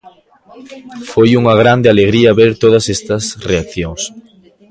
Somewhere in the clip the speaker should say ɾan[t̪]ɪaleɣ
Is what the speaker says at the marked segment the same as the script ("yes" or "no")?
no